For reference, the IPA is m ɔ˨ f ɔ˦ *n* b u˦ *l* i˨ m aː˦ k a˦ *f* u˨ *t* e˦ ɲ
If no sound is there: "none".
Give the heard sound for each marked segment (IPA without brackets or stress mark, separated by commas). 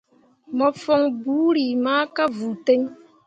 ŋ, ɾ, v, t